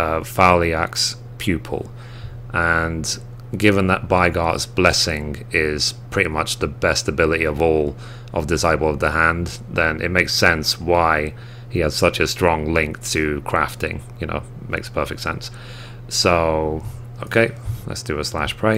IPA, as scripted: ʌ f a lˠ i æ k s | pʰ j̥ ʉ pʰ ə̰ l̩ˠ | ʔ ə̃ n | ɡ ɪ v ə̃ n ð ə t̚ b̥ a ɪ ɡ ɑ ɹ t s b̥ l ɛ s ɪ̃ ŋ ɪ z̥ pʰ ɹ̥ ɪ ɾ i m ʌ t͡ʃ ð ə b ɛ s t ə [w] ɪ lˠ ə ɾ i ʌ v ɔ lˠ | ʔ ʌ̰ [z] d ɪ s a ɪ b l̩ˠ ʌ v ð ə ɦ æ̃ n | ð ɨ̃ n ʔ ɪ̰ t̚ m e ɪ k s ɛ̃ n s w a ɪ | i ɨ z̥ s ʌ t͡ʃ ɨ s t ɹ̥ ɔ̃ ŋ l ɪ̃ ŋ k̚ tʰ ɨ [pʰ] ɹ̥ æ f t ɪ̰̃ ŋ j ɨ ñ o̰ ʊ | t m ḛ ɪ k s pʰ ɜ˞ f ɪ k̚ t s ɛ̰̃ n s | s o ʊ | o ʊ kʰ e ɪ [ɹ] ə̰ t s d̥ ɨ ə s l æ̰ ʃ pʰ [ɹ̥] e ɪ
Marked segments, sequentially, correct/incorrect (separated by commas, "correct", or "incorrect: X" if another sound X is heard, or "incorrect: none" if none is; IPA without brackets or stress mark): incorrect: b, incorrect: v, incorrect: kʰ, incorrect: l, correct